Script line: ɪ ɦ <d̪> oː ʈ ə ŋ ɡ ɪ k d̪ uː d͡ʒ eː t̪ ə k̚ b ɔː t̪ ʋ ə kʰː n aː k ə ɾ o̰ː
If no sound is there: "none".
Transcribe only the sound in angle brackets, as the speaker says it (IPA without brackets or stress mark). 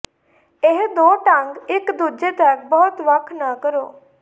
d̪